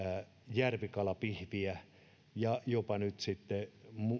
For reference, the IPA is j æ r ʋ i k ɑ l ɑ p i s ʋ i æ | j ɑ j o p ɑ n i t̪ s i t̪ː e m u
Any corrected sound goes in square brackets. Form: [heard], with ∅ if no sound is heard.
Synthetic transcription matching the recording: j æ r ʋ i k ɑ l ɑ p i [h] ʋ i æ | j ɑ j o p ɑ n [y] t̪ s i t̪ː e m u